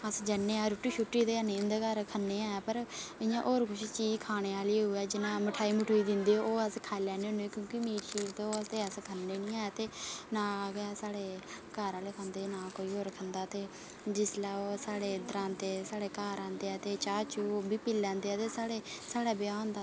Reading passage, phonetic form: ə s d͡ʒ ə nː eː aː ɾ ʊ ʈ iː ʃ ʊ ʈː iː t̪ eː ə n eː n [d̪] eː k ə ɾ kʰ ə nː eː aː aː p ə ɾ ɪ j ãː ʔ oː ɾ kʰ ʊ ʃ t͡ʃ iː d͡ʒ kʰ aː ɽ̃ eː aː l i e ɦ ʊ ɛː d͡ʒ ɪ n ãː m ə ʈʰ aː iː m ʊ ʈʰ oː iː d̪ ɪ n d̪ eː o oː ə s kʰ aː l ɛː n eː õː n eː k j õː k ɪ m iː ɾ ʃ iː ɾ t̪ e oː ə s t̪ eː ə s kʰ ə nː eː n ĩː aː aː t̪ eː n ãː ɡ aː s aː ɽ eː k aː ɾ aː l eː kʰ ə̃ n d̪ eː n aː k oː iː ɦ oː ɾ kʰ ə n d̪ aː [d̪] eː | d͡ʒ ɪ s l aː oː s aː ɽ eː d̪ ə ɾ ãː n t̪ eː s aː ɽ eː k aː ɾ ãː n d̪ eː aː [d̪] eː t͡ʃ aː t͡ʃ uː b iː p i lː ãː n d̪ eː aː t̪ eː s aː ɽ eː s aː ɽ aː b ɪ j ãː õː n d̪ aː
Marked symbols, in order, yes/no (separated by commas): yes, no, no